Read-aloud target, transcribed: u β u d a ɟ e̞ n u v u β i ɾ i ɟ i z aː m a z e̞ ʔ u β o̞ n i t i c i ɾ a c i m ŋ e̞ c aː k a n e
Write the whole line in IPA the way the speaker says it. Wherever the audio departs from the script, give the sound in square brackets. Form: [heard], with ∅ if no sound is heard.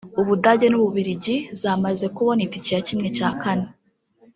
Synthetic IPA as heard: u β u d a ɟ e̞ n u [β] u β i ɾ i ɟ i z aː m a z e̞ [k] u β o̞ n i t i c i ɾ a c i m ŋ e̞ c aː k a n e